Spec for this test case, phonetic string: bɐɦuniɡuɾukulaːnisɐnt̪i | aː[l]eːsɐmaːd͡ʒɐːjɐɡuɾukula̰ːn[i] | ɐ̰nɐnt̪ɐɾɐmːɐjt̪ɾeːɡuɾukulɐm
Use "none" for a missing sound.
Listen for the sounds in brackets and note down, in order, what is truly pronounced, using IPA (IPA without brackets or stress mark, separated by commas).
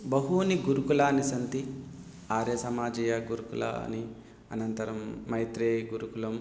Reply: ɾ, i